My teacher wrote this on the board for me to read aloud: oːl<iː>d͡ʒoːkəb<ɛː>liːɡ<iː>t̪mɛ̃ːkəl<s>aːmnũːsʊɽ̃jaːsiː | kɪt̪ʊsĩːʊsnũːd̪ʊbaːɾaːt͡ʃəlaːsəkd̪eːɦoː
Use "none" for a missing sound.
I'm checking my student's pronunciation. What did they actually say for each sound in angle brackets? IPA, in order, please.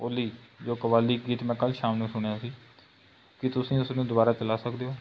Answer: iː, aː, iː, ʃ

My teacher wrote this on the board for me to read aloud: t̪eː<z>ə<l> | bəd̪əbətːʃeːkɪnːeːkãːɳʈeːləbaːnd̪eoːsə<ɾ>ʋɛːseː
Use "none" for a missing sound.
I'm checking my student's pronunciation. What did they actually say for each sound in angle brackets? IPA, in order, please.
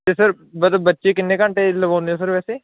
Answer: s, ɾ, ɾ

